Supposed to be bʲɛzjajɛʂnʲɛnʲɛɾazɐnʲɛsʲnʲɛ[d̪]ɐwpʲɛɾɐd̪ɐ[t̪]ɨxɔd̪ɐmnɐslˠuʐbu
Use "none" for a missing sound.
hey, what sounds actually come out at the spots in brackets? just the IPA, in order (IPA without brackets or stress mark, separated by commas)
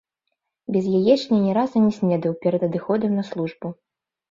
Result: d̪, d̪